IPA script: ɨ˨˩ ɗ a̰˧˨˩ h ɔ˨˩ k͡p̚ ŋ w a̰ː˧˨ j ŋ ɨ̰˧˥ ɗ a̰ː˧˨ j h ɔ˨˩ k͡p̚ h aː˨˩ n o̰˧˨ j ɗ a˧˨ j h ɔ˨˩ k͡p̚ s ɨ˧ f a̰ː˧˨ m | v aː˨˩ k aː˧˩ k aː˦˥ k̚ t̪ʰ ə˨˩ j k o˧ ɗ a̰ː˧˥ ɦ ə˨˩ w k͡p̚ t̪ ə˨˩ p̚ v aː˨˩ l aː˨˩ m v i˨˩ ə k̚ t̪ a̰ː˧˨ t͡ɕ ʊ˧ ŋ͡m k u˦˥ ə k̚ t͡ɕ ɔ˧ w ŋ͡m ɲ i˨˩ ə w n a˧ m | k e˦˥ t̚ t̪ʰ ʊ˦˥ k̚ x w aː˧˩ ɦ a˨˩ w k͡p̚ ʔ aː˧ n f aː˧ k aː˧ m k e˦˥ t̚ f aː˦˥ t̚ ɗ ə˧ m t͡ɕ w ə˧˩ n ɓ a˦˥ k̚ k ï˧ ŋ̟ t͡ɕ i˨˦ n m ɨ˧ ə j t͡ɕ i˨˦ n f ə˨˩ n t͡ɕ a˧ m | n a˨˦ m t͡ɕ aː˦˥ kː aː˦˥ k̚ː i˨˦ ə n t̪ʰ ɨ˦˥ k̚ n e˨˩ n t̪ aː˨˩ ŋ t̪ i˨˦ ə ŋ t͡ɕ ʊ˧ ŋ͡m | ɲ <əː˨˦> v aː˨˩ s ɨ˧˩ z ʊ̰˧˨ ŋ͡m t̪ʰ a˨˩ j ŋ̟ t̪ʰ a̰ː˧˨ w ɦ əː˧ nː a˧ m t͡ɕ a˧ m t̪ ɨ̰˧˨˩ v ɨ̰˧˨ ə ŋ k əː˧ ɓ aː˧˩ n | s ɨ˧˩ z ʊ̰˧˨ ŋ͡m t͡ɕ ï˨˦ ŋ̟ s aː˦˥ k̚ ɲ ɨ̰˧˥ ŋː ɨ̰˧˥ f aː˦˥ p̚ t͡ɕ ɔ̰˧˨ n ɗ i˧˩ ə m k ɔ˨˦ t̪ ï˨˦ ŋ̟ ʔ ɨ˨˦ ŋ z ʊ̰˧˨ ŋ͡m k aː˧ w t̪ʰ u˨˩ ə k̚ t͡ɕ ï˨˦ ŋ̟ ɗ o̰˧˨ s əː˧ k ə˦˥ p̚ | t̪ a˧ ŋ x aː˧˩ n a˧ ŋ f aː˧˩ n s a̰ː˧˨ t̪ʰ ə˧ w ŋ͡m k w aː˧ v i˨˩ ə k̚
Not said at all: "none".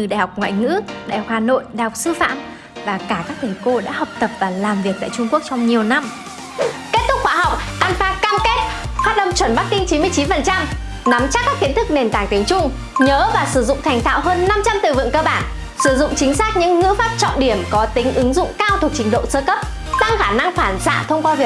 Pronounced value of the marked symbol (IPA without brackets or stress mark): əː˨˦